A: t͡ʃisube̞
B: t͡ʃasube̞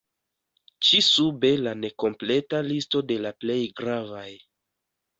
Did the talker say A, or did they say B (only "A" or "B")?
A